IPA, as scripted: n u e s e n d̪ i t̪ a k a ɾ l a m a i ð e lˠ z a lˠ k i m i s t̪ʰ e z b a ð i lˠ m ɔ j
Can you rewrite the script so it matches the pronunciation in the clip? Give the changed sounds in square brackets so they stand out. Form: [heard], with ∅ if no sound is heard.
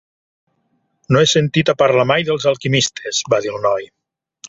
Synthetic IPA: n [o] e s e n [t̪] i t̪ a [p] a ɾ l a m a [j] ð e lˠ z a lˠ k i m i s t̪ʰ e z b a ð i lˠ [n] ɔ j